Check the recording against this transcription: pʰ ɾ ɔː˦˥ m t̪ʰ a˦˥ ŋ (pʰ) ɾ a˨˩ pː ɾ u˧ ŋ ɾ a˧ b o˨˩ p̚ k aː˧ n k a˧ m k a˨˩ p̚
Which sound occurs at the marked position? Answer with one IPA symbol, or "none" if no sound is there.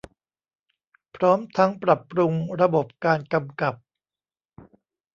p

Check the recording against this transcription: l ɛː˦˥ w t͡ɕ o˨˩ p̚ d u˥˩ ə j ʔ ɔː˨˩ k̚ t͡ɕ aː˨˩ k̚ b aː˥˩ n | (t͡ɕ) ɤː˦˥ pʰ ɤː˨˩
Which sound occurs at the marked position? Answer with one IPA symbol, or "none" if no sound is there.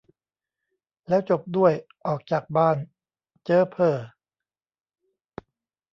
t͡ɕ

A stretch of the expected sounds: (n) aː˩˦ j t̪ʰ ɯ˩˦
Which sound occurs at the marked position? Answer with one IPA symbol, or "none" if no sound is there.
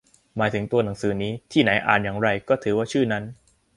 m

